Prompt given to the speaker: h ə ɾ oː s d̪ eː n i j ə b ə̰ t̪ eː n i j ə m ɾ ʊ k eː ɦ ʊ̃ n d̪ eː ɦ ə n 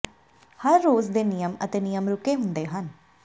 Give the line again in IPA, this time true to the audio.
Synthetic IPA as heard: h ə ɾː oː z d̪ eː n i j ə m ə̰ t̪ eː n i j ə m ɾ ʊ k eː ɦ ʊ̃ n d̪ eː ɦ ə n